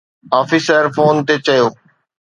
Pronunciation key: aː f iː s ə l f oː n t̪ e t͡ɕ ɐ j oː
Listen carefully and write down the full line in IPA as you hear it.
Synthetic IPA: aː f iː s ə ɾ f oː n t̪ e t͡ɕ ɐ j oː